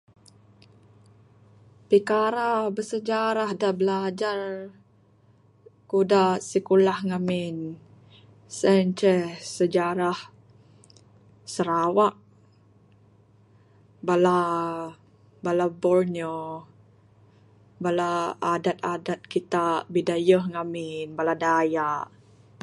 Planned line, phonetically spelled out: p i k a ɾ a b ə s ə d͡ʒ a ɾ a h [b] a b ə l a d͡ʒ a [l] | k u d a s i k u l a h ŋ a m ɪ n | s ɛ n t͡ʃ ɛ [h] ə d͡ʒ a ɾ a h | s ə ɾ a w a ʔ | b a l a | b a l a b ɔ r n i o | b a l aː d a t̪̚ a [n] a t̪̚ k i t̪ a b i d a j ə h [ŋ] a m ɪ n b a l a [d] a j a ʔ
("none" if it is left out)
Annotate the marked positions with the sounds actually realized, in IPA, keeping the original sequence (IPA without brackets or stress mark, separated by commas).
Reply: d, r, s, d, ŋ, d